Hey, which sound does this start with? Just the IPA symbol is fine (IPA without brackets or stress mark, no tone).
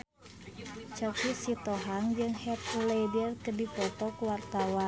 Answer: t͡ʃ